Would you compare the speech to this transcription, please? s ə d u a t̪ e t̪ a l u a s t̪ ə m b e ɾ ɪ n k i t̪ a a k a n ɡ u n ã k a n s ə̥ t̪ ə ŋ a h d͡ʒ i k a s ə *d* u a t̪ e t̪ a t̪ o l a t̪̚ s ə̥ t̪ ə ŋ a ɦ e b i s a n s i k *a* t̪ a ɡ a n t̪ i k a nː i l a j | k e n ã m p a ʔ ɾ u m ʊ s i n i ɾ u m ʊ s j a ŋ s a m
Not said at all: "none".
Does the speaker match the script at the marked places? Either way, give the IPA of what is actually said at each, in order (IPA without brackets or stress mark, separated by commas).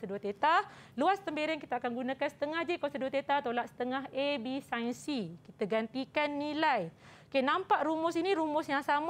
d, i